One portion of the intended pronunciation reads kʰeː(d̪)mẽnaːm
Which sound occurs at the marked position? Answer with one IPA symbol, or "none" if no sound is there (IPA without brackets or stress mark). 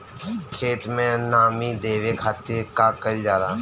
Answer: t̪